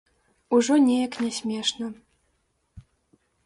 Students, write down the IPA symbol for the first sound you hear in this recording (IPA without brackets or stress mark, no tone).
u